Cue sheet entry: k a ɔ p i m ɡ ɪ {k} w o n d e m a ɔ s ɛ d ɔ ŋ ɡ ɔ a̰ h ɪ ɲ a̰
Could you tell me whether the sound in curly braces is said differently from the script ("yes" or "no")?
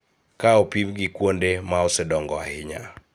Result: no